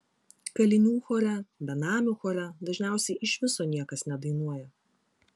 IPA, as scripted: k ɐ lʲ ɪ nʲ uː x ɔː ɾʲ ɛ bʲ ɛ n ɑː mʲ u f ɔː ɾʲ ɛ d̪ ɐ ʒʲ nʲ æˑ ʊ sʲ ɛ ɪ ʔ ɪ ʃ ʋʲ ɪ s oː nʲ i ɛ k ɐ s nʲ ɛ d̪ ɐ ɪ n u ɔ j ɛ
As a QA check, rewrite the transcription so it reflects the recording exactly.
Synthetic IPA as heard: k ɐ lʲ ɪ nʲ uː x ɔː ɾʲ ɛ bʲ ɛ n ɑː mʲ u x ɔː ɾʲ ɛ d̪ ɐ ʒʲ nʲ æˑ ʊ sʲ ɛ ɪ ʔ ɪ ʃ ʋʲ ɪ s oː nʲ i ɛ k ɐ s nʲ ɛ d̪ ɐ ɪ n u ɔ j ɛ